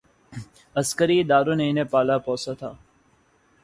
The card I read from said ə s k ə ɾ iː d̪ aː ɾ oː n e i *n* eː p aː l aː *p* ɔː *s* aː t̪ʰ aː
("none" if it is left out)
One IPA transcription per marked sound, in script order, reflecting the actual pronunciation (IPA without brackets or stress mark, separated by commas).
n, p, s